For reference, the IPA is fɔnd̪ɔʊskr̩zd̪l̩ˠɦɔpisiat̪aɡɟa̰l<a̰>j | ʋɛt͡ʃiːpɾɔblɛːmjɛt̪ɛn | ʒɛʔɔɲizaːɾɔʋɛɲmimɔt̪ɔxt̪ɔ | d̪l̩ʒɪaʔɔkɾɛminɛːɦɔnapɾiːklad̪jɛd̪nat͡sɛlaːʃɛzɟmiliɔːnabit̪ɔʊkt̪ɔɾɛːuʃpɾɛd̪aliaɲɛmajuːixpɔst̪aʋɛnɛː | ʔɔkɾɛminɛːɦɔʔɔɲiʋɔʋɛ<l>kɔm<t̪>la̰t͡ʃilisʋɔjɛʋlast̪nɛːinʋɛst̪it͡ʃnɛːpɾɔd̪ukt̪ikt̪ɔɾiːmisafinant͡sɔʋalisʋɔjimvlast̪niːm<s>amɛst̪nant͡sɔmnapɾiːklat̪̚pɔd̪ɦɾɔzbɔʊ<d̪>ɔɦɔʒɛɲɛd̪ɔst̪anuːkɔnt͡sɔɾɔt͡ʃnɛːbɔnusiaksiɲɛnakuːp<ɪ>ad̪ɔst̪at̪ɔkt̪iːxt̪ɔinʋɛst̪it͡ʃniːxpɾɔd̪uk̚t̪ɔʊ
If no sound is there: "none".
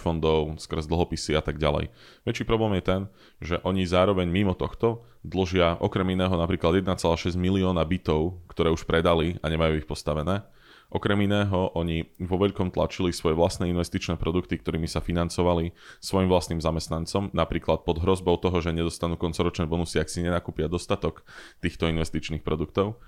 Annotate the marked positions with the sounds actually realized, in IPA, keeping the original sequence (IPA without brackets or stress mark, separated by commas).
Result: ɛ̰, ʎ, t̪, z, t̪, ɪ